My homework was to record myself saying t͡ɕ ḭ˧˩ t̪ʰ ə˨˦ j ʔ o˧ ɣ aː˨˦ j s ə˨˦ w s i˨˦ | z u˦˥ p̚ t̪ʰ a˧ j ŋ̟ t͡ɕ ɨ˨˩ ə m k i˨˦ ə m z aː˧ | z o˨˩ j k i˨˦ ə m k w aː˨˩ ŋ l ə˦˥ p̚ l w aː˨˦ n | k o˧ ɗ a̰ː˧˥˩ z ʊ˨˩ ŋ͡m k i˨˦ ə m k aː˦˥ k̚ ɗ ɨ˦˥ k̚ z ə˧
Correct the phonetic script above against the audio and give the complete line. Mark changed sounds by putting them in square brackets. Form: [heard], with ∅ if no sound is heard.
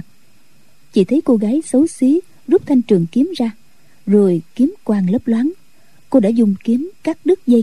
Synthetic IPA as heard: t͡ɕ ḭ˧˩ t̪ʰ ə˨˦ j [k] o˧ ɣ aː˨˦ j s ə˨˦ w s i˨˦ | z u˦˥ p̚ t̪ʰ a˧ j ŋ̟ t͡ɕ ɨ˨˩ ə [ŋ] k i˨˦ ə m z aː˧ | z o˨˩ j k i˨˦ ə m k w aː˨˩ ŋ l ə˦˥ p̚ l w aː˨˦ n | k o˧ ɗ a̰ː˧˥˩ z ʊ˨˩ ŋ͡m k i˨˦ ə m k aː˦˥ k̚ ɗ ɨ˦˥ k̚ z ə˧